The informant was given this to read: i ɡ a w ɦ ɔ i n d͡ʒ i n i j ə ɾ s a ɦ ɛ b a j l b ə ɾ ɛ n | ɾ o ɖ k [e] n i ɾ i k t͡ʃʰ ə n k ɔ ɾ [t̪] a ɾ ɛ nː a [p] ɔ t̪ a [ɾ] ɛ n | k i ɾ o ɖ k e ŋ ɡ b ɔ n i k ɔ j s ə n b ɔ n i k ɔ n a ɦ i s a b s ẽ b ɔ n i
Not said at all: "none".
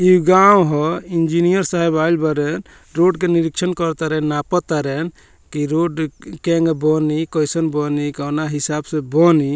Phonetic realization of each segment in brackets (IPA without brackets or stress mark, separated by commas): e, t̪, p, ɾ